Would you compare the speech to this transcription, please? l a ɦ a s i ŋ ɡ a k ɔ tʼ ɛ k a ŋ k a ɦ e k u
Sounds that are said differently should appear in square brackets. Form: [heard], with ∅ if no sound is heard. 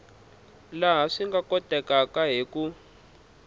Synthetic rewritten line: l a ɦ a [ʂ] i ŋ ɡ a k ɔ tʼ ɛ k a [∅] k a ɦ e k u